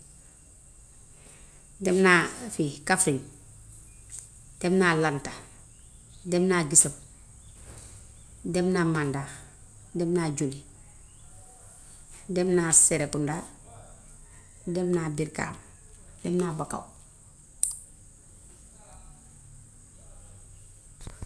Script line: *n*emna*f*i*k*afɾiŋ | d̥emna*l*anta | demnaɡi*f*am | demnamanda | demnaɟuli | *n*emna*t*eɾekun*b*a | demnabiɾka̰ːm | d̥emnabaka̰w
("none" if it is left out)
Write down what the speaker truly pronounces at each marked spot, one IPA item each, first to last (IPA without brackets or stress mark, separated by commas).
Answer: d, f, k, l, s, d, s, d